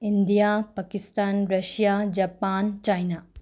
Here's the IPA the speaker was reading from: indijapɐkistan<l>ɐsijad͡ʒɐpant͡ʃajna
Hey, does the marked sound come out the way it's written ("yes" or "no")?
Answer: no